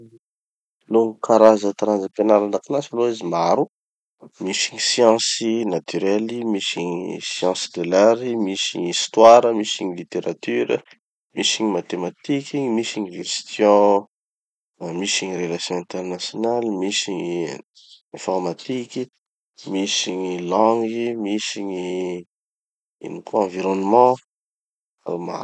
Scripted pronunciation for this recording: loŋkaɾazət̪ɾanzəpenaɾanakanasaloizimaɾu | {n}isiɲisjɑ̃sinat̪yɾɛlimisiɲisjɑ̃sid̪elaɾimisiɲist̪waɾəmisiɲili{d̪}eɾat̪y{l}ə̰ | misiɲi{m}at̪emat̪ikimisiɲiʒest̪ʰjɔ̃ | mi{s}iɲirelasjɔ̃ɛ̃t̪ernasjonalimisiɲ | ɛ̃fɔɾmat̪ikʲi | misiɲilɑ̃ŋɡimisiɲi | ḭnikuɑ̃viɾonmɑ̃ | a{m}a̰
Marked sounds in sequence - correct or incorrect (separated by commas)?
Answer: incorrect, incorrect, incorrect, correct, correct, correct